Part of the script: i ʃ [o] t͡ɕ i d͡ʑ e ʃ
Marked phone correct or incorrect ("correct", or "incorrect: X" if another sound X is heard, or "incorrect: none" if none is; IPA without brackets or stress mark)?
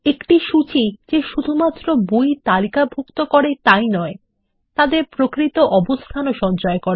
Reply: incorrect: u